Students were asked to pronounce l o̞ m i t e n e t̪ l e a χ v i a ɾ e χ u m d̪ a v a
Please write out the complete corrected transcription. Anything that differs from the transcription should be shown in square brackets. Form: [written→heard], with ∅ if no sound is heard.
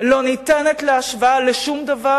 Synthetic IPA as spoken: l o̞ [m→n] i t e n e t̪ l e a [χ→ʃ] v [i→a] a [ɾ→l] e [χ→ʃ] u m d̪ a v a